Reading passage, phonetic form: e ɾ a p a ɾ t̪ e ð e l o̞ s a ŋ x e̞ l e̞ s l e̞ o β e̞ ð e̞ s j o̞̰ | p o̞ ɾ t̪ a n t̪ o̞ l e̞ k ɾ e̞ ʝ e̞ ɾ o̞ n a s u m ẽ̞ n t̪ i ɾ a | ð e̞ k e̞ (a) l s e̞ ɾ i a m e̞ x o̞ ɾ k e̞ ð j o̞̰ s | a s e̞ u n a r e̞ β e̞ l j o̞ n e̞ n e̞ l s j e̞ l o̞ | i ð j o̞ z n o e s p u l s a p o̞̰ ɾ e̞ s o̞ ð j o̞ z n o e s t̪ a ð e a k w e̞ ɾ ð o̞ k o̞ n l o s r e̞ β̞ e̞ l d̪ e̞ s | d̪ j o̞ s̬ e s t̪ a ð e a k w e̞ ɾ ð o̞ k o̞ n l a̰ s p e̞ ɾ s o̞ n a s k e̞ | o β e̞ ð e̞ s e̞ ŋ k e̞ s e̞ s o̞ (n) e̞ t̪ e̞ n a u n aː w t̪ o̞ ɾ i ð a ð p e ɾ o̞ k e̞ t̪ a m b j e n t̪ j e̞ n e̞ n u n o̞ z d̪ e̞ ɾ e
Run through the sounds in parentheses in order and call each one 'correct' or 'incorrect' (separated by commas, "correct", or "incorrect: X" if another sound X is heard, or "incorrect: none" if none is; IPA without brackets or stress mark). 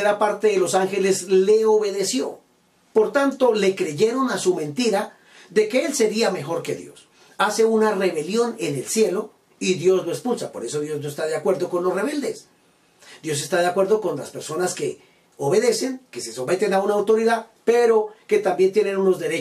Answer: incorrect: e, incorrect: m